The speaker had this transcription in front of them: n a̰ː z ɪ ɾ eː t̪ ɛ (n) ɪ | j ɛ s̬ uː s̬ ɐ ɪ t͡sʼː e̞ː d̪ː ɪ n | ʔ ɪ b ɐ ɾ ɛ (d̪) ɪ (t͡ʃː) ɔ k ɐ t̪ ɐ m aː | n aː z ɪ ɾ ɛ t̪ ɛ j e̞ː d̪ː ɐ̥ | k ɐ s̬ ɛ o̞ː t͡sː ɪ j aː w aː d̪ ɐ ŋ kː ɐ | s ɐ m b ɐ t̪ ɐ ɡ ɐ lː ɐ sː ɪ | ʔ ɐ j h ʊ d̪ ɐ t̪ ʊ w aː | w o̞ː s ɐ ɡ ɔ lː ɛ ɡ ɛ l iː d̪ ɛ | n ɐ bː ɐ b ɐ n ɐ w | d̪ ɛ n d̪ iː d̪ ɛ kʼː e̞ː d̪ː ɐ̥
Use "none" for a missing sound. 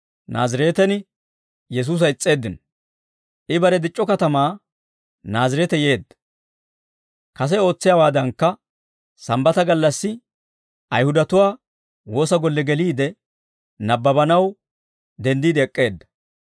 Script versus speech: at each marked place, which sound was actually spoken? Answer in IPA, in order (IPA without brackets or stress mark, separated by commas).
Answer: n, d̪, t͡ʃʼː